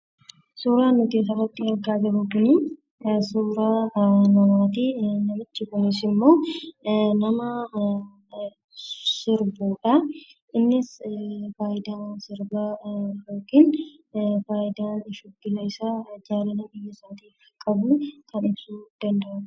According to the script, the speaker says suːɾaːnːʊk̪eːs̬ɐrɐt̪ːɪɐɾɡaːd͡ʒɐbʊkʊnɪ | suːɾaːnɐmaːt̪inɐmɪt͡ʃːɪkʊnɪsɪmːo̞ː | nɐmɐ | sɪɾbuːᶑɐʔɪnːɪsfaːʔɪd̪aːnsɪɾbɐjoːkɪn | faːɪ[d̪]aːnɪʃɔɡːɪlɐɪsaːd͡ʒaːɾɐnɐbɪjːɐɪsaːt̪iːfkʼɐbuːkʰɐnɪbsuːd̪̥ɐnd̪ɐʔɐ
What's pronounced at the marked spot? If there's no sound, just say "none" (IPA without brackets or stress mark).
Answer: d̪